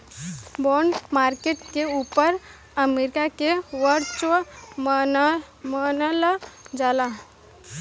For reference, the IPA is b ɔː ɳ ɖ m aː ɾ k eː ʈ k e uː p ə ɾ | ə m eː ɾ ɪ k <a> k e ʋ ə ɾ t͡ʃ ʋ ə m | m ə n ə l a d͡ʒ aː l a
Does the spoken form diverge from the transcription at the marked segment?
no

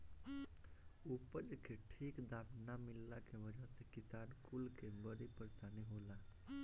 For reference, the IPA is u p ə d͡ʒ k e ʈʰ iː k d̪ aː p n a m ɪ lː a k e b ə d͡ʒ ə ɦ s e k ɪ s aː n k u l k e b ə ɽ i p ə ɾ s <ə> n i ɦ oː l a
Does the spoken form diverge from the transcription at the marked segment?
yes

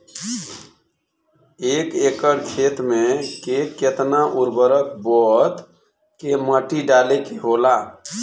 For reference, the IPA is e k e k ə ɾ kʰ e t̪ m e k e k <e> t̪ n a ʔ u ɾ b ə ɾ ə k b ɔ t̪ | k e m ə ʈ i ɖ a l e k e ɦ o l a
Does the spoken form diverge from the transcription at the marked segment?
no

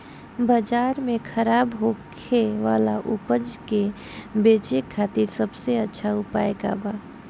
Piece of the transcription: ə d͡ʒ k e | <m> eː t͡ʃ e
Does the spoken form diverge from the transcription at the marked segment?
yes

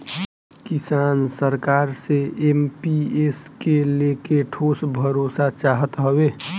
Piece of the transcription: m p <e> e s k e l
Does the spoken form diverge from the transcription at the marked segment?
yes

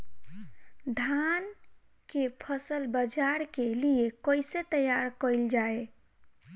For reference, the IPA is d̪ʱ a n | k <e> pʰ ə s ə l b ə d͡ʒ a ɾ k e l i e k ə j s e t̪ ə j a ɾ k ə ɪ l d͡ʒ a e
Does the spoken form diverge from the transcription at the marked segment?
no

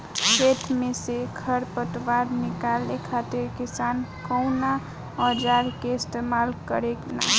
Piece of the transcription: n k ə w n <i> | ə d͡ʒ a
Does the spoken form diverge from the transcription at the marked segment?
yes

